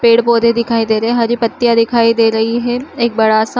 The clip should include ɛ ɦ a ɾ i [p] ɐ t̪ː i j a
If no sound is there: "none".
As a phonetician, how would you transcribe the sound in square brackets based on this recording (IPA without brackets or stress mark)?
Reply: p